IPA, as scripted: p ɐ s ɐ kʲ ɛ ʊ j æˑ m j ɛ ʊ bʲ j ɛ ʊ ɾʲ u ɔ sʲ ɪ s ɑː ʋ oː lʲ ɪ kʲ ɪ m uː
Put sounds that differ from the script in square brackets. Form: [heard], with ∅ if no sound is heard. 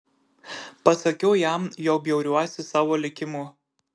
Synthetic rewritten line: p ɐ s ɐ kʲ ɛ ʊ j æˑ m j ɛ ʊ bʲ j ɛ ʊ ɾʲ u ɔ sʲ ɪ s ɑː ʋ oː lʲ ɪ kʲ ɪ m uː